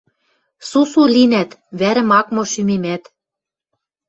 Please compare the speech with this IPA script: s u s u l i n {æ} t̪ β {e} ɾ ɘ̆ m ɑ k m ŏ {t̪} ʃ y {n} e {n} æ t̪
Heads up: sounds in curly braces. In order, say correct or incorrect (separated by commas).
correct, incorrect, incorrect, incorrect, incorrect